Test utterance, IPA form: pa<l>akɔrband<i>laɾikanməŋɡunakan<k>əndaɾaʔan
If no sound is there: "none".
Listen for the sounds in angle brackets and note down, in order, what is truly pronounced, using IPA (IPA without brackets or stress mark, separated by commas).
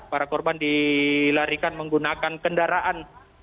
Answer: ɾ, i, k